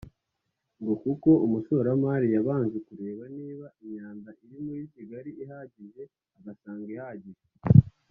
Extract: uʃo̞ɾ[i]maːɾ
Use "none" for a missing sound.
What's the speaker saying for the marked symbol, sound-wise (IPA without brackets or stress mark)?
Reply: a